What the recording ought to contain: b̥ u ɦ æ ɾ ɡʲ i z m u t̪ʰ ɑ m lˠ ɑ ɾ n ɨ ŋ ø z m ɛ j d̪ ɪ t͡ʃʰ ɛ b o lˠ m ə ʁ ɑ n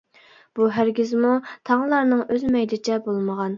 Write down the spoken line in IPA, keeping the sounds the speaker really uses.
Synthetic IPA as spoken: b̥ u ɦ æ ɾ ɡʲ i z m u t̪ʰ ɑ ŋ lˠ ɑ ɾ n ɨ ŋ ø z m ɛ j d̪ ɪ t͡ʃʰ ɛ b o lˠ m ə ʁ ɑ n